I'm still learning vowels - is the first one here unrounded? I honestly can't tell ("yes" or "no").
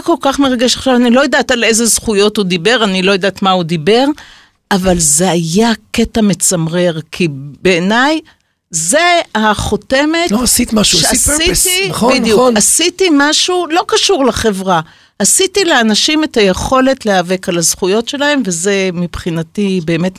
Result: no